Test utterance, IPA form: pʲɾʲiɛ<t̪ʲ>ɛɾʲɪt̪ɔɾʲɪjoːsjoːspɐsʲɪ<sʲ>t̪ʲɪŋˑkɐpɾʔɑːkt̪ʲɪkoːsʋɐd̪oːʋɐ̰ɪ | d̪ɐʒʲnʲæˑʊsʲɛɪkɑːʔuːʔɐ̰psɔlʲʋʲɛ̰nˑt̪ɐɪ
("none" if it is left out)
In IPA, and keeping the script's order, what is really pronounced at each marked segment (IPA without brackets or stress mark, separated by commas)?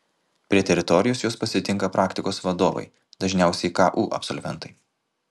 t̪ʲ, none